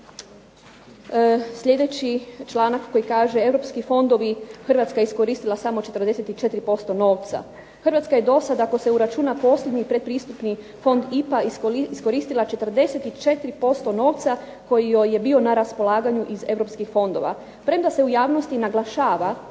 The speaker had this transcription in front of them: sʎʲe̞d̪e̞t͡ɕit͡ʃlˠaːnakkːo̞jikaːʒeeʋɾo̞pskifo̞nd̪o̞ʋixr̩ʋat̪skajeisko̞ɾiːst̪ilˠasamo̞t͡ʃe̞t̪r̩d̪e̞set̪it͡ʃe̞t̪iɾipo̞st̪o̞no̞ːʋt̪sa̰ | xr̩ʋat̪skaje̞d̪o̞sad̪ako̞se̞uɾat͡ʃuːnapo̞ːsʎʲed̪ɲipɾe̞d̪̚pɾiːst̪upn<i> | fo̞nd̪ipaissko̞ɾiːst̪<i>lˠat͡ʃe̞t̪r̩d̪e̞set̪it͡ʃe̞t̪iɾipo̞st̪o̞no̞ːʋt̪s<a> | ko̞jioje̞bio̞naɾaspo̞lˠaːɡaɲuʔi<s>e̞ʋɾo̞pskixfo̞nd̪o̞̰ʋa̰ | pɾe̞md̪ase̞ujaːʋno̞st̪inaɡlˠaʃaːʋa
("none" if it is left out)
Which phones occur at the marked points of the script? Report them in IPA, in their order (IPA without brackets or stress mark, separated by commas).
i, i, a, z